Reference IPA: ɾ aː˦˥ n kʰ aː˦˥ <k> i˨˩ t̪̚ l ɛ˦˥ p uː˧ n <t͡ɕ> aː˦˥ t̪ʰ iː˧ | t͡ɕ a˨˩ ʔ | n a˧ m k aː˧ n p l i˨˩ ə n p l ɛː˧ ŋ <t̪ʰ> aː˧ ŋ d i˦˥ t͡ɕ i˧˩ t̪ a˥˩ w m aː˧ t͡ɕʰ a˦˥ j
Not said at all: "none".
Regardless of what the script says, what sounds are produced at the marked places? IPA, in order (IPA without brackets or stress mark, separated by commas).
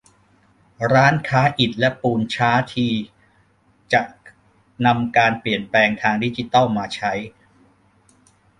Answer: ʔ, t͡ɕʰ, t̪ʰ